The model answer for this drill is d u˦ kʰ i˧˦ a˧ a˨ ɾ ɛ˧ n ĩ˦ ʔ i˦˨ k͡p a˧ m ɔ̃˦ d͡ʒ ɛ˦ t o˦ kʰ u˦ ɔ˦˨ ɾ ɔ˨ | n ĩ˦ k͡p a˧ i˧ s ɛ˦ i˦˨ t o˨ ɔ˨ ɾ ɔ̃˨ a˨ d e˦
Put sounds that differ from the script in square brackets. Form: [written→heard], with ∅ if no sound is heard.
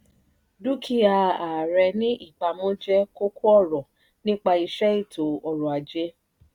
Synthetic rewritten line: d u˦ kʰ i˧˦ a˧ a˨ ɾ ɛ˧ n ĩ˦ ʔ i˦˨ k͡p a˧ m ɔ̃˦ d͡ʒ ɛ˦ [t→k] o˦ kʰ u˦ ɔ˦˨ ɾ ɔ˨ | n ĩ˦ k͡p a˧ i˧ [s→ʃ] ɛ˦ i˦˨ t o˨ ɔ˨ ɾ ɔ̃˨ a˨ [d→d͡ʒ] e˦